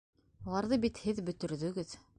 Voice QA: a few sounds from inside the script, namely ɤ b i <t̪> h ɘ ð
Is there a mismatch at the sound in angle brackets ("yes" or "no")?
no